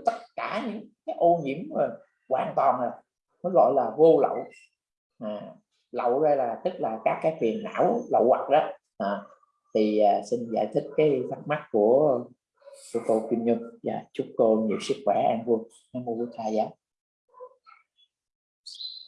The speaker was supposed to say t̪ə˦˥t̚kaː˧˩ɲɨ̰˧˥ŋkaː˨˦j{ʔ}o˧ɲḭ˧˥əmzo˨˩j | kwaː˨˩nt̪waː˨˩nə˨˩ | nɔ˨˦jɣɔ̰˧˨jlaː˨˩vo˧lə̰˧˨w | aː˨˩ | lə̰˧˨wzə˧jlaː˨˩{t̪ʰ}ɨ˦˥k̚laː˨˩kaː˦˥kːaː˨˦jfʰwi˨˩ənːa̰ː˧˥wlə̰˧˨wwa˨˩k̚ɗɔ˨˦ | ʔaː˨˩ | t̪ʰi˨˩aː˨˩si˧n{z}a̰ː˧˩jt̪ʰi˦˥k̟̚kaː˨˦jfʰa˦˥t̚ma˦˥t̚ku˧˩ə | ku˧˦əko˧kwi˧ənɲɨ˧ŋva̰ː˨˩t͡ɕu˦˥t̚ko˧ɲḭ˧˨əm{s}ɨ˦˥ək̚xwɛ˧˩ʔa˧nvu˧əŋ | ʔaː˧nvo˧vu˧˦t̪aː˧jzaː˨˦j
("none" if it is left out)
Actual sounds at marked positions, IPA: ʔ, t̪, z, s

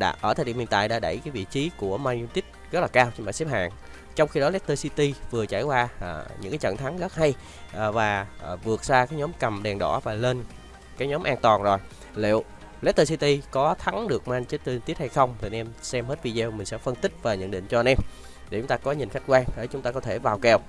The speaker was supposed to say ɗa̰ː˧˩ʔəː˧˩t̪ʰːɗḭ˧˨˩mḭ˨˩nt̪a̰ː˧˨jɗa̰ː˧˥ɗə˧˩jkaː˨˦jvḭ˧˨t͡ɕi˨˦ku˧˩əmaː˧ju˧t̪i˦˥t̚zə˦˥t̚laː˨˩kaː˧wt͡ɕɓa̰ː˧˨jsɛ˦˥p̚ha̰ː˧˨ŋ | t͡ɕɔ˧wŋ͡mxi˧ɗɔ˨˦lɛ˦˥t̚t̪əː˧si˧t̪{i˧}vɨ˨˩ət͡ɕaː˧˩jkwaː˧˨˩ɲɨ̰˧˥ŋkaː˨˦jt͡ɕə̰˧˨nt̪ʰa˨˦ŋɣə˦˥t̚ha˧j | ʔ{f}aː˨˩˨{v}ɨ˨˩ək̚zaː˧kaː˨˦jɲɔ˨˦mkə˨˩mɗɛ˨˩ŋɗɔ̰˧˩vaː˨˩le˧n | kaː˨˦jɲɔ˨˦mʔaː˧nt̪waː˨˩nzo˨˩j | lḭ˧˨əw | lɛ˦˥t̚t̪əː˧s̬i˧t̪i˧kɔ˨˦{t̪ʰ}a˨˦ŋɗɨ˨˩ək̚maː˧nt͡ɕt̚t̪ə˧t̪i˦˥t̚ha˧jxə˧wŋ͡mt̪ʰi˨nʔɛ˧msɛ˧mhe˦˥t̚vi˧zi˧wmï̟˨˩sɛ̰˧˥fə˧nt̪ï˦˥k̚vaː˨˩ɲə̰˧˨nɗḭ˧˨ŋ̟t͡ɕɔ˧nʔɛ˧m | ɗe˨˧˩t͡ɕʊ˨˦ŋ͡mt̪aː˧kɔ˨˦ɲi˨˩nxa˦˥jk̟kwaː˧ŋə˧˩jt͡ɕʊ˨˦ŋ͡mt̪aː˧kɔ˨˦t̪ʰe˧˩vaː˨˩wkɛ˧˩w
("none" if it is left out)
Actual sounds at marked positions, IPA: i˧, v, v, t̪ʰ

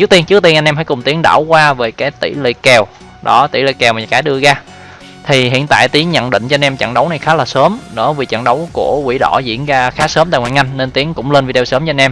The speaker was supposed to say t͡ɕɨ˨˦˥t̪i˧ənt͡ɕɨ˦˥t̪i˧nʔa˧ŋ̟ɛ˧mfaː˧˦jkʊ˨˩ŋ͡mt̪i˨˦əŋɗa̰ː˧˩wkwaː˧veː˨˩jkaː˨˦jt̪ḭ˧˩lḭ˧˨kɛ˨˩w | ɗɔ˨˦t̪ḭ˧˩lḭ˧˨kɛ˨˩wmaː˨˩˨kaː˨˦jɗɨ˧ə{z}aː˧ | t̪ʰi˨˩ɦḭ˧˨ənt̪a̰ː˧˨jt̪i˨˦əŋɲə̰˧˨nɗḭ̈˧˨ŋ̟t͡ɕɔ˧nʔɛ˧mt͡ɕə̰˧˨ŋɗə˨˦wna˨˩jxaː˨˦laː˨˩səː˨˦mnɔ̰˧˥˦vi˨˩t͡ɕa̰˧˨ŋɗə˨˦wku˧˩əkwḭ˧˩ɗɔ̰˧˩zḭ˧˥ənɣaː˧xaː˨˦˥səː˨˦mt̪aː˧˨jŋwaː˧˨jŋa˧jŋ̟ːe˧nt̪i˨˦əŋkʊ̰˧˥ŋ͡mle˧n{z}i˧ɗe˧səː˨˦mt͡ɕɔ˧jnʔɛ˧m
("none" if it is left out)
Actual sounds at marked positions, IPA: ɣ, v

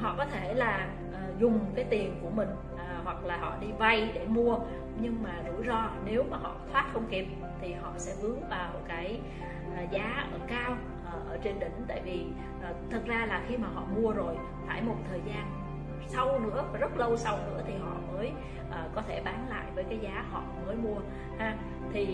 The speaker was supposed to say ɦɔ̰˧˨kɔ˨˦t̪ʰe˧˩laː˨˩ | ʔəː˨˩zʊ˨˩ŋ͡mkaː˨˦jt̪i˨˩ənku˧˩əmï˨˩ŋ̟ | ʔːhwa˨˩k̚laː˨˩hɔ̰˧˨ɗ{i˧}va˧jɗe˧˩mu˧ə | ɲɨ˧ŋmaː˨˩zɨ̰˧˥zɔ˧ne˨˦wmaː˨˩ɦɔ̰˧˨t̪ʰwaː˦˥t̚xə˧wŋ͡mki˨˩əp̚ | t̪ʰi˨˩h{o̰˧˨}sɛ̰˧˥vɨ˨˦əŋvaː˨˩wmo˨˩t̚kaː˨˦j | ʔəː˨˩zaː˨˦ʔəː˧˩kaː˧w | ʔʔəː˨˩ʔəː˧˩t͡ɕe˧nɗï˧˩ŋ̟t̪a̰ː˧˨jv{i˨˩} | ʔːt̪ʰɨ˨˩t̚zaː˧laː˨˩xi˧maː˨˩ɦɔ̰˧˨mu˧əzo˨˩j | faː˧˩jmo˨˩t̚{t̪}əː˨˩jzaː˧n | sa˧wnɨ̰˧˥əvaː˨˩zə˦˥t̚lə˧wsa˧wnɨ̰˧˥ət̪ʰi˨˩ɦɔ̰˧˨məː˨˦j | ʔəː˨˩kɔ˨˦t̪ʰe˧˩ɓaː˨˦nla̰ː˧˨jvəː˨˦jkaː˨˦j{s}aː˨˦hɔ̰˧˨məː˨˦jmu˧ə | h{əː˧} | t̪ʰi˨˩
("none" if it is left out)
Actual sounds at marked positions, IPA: i˧, ɔ̰˧˨, i˨˩, t̪ʰ, z, aː˧

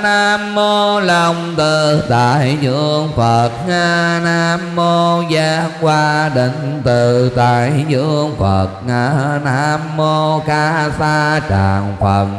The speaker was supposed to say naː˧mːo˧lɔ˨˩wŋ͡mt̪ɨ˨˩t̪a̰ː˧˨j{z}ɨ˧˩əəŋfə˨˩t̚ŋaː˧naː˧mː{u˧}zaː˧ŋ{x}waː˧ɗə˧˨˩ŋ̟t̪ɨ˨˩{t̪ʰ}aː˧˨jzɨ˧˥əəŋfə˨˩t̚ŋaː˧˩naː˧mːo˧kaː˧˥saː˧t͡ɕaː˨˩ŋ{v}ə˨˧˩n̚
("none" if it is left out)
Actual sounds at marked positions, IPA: z, o˧, k, t̪, f

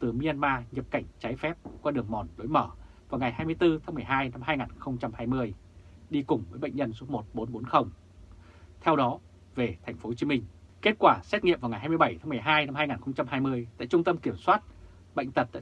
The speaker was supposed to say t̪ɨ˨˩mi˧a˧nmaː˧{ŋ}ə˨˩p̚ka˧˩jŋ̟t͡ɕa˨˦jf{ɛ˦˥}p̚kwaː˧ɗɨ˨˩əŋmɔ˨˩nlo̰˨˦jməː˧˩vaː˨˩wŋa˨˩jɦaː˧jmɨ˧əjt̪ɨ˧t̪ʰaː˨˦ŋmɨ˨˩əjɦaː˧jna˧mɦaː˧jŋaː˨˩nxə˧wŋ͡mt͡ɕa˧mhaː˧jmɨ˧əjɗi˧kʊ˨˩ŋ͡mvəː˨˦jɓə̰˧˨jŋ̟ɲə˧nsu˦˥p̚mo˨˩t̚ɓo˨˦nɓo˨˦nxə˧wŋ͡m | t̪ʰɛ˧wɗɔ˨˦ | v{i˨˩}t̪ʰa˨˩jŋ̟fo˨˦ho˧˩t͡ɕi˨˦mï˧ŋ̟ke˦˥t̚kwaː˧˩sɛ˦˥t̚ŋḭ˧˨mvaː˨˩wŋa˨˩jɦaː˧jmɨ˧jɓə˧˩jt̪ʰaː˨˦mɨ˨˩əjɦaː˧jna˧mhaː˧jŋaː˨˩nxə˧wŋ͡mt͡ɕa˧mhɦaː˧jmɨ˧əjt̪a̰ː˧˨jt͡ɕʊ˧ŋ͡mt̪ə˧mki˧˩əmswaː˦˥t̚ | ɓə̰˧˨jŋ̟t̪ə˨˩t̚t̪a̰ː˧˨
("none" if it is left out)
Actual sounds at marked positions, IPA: ɲ, ɛ˦˥, e˨˩

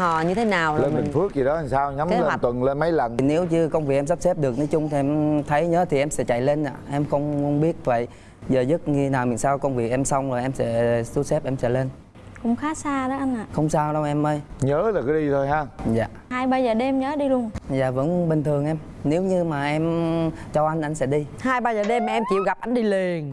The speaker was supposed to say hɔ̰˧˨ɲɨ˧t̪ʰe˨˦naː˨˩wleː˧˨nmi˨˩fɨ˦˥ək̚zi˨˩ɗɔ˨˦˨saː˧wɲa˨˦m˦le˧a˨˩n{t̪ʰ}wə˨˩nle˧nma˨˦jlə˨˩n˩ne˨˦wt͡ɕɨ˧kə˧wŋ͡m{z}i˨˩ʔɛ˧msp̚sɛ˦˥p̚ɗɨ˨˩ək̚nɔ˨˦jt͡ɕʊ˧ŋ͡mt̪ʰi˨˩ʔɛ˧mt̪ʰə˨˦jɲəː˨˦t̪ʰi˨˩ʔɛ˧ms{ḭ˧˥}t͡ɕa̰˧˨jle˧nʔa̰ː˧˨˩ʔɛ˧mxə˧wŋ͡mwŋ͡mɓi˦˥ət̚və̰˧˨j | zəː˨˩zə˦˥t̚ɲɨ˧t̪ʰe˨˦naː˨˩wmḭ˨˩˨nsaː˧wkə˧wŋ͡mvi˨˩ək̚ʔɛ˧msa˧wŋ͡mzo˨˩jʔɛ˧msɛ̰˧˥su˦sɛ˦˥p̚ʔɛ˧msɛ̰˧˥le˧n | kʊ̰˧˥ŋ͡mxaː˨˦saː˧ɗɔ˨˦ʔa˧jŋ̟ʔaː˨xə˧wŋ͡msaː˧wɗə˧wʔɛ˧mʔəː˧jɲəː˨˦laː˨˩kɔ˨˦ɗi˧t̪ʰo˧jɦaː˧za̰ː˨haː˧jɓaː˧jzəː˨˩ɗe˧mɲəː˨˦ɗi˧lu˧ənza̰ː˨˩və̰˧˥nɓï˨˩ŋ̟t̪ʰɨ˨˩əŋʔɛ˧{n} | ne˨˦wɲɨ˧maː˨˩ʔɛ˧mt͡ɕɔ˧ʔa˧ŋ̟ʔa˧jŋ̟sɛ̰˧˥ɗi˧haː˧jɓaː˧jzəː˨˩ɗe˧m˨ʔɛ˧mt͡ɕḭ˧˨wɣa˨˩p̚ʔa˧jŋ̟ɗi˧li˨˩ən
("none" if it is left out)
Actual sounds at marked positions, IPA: t̪, v, ɛ̰˧˥, m

